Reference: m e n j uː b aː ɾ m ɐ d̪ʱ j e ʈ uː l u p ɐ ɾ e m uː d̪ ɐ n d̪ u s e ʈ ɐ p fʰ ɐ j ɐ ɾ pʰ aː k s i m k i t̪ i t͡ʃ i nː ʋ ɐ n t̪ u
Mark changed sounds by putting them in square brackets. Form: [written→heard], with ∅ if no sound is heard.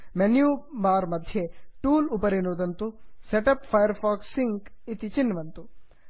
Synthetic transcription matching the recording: m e n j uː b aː ɾ m ɐ d̪ʱ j e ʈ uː l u p ɐ ɾ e [m→n] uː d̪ ɐ n [d̪→t̪] u s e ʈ ɐ p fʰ ɐ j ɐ ɾ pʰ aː k s i [m→ŋ] k i t̪ i t͡ʃ i nː ʋ ɐ n t̪ u